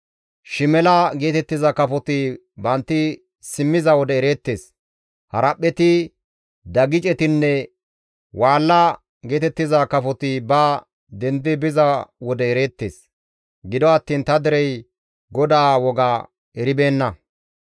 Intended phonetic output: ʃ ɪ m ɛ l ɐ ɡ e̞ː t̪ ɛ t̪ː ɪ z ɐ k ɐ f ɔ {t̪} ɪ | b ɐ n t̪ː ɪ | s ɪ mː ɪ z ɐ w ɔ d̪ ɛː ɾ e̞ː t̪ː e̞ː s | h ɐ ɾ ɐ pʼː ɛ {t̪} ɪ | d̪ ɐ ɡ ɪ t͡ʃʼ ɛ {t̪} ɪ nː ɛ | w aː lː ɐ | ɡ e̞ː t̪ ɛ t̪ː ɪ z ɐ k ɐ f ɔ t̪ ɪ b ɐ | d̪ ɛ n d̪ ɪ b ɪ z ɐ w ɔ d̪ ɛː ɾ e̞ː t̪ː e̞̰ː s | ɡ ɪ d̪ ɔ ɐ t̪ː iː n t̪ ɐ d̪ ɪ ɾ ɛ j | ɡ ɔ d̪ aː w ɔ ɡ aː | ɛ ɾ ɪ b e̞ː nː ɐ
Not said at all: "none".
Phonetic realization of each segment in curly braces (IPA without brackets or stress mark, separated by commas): t̪, t̪, t̪